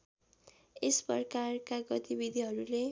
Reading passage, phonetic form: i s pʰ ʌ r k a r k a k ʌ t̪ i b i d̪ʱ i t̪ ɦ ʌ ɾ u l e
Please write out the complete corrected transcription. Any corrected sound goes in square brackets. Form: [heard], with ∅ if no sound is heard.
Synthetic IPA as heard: [e] s [p] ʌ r k a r k a [ɡ] ʌ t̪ i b i d̪ʱ i [∅] ɦ ʌ ɾ u l e